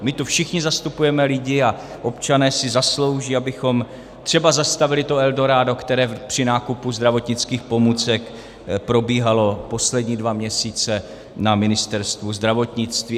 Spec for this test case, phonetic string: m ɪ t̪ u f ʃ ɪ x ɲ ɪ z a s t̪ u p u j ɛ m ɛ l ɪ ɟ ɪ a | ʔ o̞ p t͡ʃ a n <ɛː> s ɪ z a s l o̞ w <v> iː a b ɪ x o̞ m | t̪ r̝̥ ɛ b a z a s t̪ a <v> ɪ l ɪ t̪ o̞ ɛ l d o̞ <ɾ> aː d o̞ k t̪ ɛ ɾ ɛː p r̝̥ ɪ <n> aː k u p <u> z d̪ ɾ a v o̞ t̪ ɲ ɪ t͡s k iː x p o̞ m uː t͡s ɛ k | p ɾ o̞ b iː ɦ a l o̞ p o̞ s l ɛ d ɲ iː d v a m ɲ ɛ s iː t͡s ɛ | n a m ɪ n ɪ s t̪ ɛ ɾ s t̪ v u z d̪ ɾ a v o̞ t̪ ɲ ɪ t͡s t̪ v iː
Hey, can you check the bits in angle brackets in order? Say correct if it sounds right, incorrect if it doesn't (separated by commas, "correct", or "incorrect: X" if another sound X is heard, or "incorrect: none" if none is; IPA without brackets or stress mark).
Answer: correct, incorrect: ʒ, correct, correct, correct, correct